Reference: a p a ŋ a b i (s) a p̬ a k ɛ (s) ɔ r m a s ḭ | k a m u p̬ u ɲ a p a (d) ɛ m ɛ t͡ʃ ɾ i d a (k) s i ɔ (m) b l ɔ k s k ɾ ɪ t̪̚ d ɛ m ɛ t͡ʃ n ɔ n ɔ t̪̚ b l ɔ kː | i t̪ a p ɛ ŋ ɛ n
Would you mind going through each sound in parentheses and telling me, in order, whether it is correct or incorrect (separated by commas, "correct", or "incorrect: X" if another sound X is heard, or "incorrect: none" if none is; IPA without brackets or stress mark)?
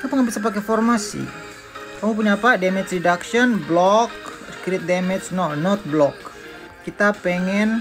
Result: correct, incorrect: f, correct, correct, incorrect: n